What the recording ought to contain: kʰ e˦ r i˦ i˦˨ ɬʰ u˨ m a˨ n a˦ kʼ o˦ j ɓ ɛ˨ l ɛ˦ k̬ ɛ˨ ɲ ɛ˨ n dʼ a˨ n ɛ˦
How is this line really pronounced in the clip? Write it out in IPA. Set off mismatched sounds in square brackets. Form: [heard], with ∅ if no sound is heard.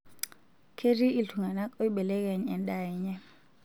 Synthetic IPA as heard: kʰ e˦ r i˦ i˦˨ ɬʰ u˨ [ŋ] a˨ n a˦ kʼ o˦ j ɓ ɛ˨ l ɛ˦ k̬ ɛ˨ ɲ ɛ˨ n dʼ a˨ [ɲ] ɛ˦